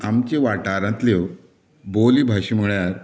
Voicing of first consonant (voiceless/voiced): voiced